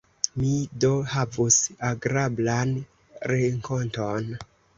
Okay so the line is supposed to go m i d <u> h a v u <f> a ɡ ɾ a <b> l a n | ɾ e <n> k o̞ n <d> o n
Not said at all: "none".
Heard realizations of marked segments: o, s, b, ŋ, t

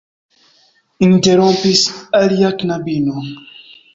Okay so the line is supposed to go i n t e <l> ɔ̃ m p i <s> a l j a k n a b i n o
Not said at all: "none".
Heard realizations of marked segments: ɾ, s

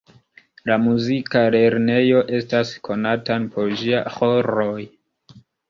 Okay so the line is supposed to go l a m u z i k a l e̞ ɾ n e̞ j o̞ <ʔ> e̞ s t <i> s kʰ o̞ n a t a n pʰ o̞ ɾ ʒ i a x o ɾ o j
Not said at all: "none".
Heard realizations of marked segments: ʔ, a

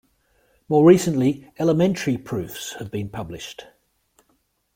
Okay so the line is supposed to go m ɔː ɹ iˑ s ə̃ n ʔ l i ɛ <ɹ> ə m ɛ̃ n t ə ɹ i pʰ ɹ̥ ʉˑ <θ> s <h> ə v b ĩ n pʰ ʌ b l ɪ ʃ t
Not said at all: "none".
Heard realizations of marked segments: l, f, h

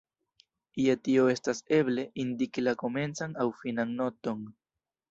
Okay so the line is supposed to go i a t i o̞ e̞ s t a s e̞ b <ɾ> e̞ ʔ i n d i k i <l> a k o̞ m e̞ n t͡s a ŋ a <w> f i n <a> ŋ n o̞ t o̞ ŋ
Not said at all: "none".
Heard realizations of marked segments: l, l, w, a

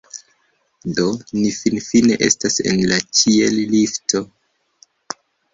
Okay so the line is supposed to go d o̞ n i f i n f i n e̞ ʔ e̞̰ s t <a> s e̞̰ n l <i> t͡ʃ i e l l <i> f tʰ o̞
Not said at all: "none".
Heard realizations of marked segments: a, a, i

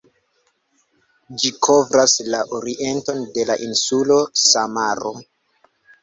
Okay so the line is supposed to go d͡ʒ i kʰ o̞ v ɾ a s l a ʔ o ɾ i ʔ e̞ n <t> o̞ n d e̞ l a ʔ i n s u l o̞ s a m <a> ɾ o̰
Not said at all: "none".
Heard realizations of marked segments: t, a

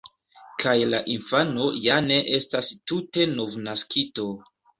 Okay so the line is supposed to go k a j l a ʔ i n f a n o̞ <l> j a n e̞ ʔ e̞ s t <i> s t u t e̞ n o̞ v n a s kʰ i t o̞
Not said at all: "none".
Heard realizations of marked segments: none, a

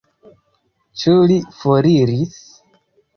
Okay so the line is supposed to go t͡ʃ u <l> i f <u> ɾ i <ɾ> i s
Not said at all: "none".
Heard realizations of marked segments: l, o, ɾ

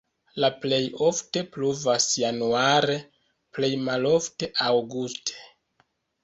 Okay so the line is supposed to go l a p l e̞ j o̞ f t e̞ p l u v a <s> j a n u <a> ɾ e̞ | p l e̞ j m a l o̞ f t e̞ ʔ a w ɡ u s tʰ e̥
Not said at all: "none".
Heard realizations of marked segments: s, a

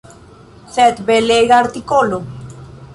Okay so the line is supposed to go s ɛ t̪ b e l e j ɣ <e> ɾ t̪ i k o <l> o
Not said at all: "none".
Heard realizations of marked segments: a, l

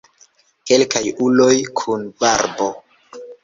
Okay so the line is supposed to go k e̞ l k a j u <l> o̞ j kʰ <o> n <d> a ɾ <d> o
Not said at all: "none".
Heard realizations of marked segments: l, u, b, b

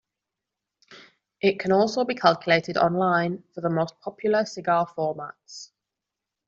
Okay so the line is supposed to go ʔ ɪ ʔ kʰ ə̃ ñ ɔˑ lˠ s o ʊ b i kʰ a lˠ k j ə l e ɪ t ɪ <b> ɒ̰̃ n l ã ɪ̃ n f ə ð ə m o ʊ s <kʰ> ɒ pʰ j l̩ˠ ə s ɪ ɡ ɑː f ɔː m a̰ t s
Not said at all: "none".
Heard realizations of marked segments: d, pʰ

